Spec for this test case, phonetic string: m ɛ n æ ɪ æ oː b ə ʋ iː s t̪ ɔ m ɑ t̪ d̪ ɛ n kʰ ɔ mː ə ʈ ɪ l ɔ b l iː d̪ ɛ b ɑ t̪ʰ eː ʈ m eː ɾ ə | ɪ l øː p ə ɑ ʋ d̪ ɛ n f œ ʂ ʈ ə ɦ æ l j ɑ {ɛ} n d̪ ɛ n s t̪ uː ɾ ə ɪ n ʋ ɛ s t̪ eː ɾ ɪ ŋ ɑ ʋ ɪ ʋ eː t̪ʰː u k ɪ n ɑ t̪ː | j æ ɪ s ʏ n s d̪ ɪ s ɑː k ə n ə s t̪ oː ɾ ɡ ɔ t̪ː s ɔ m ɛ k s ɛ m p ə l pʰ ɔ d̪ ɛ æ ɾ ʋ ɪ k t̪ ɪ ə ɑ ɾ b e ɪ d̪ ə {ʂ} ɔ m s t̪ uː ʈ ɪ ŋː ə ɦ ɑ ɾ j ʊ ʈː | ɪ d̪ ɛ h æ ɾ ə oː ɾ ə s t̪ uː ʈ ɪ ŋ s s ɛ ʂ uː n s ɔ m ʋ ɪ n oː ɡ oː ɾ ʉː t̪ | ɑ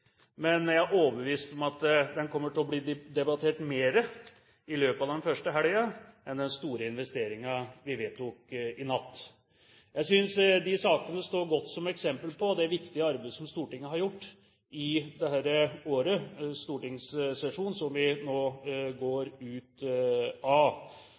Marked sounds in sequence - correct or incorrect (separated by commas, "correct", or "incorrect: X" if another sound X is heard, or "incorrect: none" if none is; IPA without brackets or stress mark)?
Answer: correct, incorrect: s